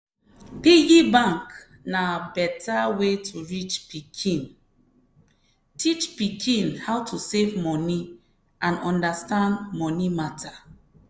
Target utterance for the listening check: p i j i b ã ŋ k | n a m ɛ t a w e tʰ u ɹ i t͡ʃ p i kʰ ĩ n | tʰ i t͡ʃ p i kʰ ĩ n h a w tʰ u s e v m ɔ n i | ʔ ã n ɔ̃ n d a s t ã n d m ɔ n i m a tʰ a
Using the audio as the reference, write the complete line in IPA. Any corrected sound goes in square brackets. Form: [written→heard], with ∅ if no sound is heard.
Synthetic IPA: p i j i b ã ŋ k | n a [m→b] ɛ t a w e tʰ u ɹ i t͡ʃ p i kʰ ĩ n | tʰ i t͡ʃ p i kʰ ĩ n h a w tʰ u s e v m ɔ n i | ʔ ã n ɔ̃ n d a s t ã n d m ɔ n i m a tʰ a